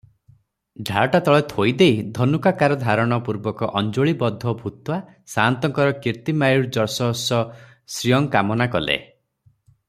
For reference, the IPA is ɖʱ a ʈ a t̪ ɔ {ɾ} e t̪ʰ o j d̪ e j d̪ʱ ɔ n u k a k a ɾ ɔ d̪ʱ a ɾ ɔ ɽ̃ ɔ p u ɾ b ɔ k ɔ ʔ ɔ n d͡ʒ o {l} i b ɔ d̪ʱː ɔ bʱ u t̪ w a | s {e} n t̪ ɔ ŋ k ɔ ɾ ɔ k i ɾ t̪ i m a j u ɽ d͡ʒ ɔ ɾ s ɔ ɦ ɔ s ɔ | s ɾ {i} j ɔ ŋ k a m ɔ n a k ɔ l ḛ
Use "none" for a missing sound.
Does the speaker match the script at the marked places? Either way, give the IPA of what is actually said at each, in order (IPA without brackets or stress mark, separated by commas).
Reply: ɭ, ɭ, a, i